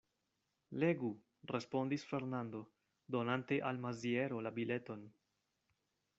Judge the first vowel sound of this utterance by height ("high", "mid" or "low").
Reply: mid